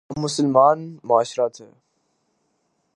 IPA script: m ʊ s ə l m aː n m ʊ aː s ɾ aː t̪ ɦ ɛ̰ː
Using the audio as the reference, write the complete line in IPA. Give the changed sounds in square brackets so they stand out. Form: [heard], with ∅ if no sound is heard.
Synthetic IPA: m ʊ s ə l m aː n m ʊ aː [ʃ] ɾ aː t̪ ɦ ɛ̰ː